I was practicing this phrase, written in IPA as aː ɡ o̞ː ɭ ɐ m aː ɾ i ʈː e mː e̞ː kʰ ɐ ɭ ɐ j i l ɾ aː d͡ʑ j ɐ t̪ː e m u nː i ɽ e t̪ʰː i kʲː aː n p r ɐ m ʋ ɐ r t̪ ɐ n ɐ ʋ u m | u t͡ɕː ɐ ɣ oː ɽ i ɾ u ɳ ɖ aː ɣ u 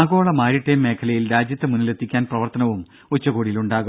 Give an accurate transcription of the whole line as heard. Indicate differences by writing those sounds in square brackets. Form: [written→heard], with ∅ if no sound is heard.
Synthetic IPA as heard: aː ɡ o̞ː ɭ ɐ m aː ɾ i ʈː e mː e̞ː kʰ ɐ [ɭ→l] ɐ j i l ɾ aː d͡ʑ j ɐ t̪ː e m u nː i [ɽ→l] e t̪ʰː i kʲː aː n p r ɐ [m→∅] ʋ ɐ r t̪ ɐ n ɐ ʋ u m | u t͡ɕː ɐ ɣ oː ɽ i [ɾ→l] u ɳ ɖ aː ɣ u